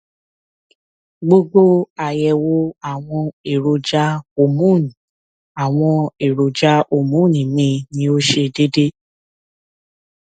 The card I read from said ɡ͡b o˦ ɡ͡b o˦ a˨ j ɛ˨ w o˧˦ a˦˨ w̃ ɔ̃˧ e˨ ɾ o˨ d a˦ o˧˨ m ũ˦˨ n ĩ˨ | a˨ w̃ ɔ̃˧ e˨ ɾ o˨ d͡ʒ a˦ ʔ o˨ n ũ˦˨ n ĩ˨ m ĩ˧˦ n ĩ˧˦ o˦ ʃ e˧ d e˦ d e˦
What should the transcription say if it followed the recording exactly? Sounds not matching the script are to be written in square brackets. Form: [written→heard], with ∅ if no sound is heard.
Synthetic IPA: ɡ͡b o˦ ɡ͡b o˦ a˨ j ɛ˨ w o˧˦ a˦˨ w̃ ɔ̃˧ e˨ ɾ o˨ [d→d͡ʒ] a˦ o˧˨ m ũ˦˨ n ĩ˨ | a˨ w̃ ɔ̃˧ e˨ ɾ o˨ d͡ʒ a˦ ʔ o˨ [n→m] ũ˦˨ n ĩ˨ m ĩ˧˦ n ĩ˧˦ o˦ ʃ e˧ d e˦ d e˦